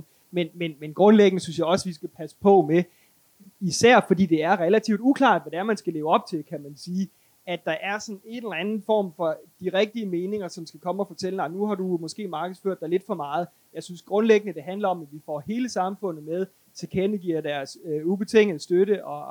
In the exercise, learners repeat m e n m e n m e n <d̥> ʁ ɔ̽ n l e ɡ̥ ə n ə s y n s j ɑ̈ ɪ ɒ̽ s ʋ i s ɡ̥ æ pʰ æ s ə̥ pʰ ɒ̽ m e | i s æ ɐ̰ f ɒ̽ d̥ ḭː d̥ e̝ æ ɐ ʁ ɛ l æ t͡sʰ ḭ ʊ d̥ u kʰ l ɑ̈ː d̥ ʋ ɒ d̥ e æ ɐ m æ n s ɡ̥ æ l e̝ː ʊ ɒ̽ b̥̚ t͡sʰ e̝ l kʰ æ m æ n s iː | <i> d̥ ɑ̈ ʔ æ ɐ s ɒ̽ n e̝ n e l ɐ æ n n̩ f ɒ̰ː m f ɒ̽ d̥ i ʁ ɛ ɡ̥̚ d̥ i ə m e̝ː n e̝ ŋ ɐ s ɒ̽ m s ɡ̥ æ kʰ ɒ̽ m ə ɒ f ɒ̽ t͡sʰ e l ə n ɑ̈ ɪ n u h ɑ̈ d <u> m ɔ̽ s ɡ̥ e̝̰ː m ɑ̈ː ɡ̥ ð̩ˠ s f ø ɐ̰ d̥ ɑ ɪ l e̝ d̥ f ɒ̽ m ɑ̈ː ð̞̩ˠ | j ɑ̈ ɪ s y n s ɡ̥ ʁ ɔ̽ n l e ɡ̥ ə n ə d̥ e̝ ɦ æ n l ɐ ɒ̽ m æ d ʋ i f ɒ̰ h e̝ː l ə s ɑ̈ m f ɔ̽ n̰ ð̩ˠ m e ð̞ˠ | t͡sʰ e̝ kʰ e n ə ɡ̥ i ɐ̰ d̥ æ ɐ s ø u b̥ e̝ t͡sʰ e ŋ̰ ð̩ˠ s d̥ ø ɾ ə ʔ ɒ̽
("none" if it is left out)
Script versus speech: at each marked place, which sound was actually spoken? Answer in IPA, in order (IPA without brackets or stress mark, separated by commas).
ɡ̥, æ, u